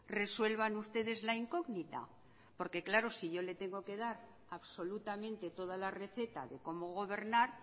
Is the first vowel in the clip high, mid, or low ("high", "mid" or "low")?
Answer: mid